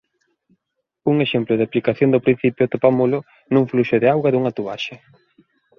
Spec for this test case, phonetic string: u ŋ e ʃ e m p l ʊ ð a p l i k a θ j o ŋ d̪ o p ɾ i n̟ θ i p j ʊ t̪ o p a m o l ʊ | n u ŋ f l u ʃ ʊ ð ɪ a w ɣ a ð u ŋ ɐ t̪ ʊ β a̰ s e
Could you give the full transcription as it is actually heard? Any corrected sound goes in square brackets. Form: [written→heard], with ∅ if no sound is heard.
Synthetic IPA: u ŋ e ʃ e m p l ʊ ð a p l i k a θ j o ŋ d̪ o p ɾ i n̟ θ i p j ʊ t̪ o p a m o l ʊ | n u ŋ f l u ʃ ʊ ð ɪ a w ɣ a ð u ŋ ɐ t̪ [ʊ→u] β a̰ [s→ʃ] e